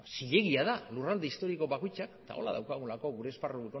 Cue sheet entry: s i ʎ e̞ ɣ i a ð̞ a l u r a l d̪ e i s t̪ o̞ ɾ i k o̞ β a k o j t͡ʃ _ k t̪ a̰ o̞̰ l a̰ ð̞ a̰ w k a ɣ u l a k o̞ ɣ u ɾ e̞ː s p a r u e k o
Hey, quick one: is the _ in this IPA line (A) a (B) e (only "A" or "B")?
A